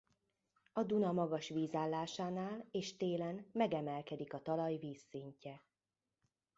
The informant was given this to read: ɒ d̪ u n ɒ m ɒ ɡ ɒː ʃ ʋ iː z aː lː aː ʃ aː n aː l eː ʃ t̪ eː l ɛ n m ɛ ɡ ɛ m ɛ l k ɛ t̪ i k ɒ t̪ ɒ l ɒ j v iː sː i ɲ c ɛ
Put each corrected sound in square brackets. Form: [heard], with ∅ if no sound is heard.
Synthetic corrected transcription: ɒ d̪ u n ɒ m ɒ ɡ [ɒ] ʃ ʋ iː z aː lː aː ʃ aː n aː l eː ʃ t̪ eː l ɛ n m ɛ ɡ ɛ m ɛ l k ɛ [d̪] i k ɒ t̪ ɒ l ɒ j v iː sː i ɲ c ɛ